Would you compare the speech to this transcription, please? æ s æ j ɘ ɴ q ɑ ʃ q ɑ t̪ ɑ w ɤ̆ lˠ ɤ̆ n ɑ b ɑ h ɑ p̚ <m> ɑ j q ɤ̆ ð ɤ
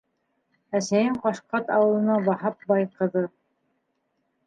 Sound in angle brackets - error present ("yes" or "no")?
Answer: yes